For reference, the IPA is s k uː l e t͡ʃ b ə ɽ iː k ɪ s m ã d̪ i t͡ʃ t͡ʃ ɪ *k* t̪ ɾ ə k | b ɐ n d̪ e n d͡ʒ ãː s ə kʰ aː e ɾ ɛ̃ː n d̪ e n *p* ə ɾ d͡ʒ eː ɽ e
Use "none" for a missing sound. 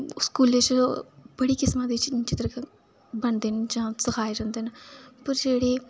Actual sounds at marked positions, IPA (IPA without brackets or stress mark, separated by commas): none, p